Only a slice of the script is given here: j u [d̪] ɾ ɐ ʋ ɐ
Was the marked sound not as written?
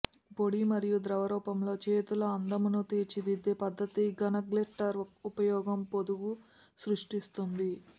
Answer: no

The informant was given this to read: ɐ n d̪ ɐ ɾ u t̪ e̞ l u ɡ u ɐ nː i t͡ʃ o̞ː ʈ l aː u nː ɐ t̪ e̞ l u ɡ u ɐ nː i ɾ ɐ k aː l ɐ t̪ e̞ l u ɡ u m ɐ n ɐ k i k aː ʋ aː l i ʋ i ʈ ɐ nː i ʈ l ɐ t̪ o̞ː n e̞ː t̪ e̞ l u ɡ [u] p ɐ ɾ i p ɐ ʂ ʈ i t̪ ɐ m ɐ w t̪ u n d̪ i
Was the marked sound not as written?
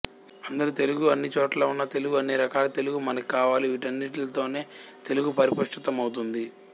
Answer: no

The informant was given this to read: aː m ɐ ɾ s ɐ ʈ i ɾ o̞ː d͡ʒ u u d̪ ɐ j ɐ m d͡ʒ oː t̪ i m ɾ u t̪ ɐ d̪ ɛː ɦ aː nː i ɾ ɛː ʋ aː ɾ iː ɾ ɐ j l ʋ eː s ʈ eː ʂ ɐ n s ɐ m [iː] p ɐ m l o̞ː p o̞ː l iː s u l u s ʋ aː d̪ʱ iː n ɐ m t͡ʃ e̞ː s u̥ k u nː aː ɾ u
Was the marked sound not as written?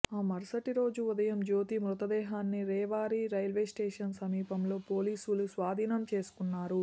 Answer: no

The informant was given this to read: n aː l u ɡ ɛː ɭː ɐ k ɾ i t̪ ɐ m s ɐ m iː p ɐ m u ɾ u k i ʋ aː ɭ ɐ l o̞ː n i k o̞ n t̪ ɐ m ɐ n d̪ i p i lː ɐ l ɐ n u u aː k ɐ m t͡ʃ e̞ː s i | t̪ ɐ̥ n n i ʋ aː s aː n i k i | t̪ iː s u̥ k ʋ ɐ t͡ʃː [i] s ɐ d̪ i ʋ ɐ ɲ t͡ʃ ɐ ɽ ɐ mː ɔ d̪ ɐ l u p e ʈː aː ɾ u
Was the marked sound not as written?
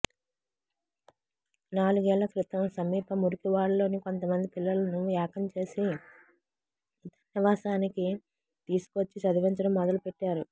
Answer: no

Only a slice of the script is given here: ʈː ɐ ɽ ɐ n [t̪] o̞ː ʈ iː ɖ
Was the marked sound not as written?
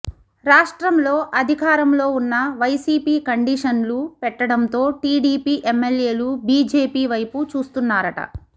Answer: no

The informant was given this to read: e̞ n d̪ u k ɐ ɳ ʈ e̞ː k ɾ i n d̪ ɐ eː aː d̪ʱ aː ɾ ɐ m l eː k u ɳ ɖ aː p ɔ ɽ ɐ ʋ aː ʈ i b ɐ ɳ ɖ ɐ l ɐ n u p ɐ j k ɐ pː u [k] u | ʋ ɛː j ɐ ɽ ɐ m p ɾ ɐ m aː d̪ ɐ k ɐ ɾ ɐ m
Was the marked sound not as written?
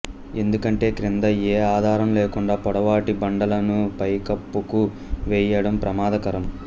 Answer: no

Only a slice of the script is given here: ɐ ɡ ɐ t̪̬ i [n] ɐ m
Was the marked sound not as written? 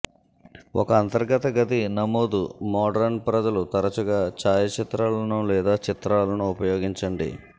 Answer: no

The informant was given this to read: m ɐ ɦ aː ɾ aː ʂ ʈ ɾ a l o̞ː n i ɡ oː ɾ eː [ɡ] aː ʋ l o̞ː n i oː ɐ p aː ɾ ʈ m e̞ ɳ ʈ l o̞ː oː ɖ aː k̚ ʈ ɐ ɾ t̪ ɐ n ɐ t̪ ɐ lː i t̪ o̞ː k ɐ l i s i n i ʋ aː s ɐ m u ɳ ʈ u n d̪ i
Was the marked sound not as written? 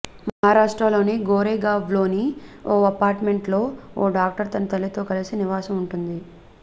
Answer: no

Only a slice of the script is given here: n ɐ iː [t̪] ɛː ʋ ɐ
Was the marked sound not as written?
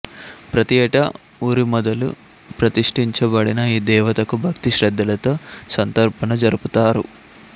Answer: yes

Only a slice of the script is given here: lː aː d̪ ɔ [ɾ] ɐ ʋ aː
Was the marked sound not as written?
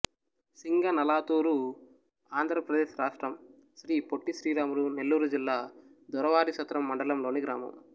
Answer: no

